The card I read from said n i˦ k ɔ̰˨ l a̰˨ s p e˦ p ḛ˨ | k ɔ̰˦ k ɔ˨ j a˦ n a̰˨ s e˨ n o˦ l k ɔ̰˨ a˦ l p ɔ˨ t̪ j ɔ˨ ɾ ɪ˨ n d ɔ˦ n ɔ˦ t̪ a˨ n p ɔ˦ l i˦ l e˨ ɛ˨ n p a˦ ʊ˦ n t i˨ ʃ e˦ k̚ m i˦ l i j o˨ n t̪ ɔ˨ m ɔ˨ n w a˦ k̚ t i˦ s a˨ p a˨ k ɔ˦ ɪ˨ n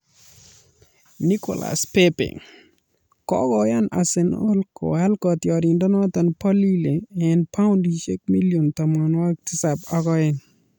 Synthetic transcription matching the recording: n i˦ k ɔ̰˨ l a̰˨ s p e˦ p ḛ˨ | k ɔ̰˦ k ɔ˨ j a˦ n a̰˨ s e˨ n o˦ l k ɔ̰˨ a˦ l k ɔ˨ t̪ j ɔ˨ ɾ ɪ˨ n d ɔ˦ n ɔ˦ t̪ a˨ n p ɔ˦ l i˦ l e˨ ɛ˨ n p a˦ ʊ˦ n d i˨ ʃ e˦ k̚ m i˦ l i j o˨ n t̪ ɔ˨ m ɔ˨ n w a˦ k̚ t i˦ s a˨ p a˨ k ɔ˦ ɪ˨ n